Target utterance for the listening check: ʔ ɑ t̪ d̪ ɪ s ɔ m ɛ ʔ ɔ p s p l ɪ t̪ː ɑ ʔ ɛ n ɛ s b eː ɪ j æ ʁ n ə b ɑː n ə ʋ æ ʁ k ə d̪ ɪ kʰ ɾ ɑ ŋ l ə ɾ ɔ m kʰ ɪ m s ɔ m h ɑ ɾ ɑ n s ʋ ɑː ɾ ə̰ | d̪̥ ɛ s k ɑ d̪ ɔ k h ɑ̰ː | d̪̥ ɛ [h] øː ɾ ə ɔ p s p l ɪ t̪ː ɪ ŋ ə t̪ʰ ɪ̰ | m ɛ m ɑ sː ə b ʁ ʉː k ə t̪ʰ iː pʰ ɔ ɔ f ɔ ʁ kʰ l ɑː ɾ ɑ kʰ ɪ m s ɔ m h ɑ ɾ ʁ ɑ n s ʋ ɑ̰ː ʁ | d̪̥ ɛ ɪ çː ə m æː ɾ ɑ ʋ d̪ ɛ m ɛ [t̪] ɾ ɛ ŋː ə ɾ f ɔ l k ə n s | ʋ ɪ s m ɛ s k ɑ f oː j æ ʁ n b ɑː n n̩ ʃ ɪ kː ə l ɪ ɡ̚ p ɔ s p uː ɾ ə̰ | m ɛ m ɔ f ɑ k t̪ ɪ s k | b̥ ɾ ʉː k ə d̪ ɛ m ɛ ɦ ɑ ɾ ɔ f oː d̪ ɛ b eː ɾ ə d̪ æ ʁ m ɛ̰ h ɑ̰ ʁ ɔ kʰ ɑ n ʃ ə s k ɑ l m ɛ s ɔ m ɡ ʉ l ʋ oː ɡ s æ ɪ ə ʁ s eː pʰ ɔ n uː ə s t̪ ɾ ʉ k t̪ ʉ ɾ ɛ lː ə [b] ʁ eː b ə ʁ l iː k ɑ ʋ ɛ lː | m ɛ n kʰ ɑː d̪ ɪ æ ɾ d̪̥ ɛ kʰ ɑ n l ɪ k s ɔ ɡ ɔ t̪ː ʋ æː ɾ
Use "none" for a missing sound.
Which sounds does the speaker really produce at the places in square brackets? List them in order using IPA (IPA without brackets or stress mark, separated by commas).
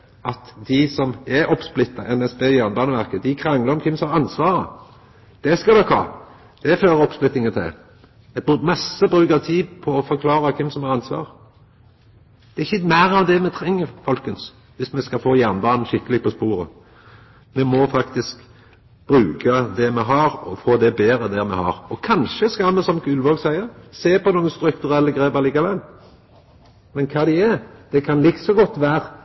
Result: f, t̪ʰ, ɡ